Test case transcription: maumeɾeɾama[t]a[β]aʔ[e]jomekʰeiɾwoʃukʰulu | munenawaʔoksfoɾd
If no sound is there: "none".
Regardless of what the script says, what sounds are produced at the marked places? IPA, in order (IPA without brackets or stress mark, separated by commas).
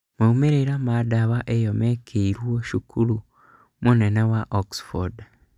d, β, e